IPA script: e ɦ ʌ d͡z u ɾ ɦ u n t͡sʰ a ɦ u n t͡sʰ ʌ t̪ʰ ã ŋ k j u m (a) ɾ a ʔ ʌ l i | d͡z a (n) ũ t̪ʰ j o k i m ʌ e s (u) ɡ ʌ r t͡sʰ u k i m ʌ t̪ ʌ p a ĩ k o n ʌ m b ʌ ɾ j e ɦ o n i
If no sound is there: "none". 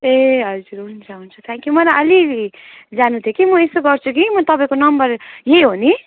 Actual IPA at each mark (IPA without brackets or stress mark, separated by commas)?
ʌ, n, o